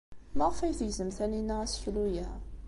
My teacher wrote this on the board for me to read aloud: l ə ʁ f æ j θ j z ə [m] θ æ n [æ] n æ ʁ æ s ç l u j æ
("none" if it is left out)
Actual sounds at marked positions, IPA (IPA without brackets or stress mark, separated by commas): m, i